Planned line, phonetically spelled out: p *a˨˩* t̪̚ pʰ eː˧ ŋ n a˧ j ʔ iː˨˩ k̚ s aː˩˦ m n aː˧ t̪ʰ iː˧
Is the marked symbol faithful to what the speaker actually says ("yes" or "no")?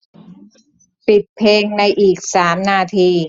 no